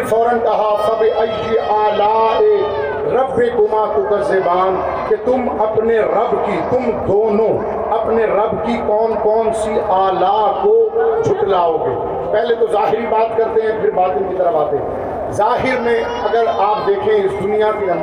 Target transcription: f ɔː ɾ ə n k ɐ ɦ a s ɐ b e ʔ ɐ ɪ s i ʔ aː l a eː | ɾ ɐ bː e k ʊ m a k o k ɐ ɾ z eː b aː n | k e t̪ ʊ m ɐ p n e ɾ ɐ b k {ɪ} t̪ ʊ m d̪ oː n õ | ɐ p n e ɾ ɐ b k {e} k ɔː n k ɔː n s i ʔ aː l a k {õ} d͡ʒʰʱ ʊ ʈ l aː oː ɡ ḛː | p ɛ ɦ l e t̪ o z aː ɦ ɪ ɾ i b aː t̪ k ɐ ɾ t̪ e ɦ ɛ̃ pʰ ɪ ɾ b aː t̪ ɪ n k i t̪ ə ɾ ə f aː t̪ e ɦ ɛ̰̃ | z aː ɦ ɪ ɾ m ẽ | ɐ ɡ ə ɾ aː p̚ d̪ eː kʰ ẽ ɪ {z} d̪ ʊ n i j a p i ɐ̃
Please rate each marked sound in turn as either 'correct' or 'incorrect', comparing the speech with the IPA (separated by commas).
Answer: incorrect, incorrect, incorrect, incorrect